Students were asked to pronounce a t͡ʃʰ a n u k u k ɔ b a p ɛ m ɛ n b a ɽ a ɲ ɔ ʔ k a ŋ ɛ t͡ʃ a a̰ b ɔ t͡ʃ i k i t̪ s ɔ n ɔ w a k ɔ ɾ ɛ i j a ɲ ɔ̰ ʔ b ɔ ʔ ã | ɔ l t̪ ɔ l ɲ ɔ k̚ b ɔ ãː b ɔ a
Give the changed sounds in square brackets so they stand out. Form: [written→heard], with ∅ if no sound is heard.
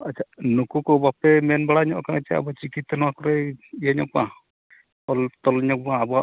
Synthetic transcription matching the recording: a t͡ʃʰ a n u k u k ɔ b a p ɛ m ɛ n b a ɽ a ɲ ɔ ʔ k a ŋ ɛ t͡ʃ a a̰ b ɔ t͡ʃ i k i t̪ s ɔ n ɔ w a k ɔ ɾ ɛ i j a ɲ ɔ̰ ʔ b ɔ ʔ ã | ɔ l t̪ ɔ l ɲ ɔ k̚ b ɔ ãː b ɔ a